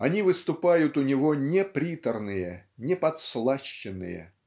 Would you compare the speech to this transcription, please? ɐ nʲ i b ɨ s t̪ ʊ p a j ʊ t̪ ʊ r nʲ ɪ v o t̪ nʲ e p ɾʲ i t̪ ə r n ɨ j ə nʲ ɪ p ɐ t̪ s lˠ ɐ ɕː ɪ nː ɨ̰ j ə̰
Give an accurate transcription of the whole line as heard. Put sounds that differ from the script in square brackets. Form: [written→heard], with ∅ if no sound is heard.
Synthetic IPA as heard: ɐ nʲ i [b→v] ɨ s t̪ ʊ p a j ʊ t̪ ʊ [r→∅] nʲ ɪ v o [t̪→∅] nʲ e p ɾʲ i t̪ ə r n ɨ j ə nʲ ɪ p ɐ t̪ s lˠ [ɐ→a] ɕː ɪ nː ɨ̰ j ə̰